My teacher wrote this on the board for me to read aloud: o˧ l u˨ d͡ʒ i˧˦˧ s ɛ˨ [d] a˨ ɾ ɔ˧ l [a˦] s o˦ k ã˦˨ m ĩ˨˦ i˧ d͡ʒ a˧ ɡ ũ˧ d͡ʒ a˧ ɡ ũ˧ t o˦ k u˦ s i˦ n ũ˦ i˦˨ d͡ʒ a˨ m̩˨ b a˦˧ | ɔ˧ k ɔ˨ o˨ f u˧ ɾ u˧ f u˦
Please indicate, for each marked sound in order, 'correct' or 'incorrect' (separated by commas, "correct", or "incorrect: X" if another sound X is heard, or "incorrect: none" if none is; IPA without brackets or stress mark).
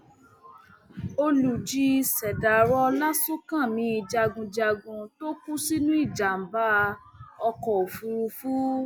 correct, correct